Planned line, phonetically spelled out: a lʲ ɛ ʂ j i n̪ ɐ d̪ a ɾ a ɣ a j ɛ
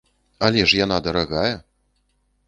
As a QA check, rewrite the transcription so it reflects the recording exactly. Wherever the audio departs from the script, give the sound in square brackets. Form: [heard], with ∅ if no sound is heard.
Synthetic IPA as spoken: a lʲ ɛ ʂ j [a] n̪ [a] d̪ [ɐ] ɾ a ɣ a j ɛ